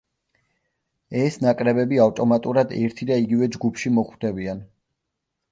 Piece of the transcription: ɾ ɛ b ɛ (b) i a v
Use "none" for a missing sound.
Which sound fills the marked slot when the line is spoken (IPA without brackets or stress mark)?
b